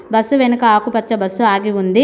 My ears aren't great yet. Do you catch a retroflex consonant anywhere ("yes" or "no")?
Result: no